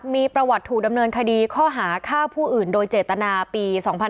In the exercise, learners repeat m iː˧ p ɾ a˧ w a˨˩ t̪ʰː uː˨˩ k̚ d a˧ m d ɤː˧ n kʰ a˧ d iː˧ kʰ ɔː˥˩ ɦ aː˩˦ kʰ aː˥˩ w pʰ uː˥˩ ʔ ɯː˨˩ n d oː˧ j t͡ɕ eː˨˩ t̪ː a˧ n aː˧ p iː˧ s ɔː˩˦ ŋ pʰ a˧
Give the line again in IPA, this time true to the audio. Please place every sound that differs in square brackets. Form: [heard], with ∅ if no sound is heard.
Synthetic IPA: m iː˧ p ɾ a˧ w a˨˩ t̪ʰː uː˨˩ k̚ d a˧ m [n] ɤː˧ n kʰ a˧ d iː˧ kʰ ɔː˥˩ ɦ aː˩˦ kʰ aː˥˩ w pʰ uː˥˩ ʔ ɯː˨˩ n d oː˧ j t͡ɕ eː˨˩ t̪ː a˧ n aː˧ p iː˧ s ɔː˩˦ ŋ pʰ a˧